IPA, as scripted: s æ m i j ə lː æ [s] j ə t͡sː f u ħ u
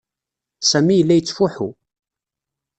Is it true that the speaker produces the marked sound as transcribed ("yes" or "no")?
no